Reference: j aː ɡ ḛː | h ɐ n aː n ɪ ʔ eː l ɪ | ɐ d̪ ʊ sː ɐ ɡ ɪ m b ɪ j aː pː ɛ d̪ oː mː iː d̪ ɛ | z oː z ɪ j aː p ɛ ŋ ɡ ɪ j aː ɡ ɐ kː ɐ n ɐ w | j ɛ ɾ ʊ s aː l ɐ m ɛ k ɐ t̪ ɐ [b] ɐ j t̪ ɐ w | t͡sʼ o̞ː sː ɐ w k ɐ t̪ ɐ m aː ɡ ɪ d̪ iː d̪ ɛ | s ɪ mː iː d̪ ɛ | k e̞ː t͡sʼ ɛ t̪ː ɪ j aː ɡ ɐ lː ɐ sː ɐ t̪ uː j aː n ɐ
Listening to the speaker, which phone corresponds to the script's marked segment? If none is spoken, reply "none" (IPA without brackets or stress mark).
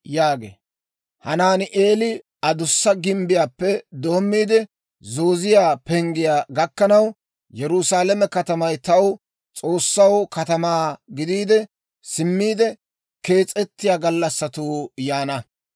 m